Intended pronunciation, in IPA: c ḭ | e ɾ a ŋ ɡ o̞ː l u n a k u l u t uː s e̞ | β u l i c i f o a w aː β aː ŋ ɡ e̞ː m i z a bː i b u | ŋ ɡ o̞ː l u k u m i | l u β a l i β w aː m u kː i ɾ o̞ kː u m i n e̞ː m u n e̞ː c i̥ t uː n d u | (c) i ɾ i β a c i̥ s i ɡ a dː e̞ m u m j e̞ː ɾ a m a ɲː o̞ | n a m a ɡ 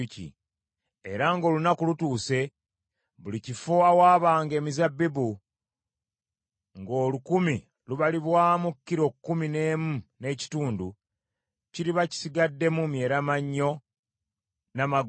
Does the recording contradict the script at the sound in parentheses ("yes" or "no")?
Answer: no